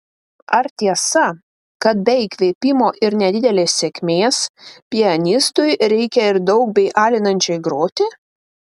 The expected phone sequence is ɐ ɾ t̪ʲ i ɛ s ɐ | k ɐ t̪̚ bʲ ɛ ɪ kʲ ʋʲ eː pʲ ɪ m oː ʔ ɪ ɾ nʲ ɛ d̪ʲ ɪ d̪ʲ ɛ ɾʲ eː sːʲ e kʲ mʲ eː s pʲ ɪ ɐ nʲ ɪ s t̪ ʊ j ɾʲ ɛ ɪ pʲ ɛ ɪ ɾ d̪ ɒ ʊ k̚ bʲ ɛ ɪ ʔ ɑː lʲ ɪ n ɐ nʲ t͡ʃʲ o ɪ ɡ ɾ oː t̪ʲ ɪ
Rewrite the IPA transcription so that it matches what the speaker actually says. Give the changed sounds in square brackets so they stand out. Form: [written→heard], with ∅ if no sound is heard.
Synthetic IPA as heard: ɐ ɾ t̪ʲ i ɛ s ɐ | k ɐ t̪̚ bʲ ɛ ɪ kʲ ʋʲ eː pʲ ɪ m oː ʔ ɪ ɾ nʲ ɛ d̪ʲ ɪ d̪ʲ ɛ [ɾʲ→lʲ] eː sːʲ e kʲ mʲ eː s pʲ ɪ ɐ nʲ ɪ s t̪ ʊ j ɾʲ ɛ ɪ [pʲ→kʲ] ɛ ɪ ɾ d̪ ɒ ʊ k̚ bʲ ɛ ɪ ʔ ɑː lʲ ɪ n ɐ nʲ t͡ʃʲ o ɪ ɡ ɾ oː t̪ʲ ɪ